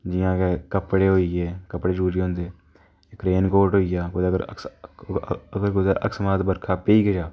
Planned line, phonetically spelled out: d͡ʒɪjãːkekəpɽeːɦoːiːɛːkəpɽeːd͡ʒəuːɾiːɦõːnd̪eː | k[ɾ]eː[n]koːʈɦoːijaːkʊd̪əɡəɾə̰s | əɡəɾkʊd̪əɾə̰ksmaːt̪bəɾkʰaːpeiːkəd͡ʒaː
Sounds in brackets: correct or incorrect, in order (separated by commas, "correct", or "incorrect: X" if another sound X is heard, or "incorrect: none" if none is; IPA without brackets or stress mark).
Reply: correct, correct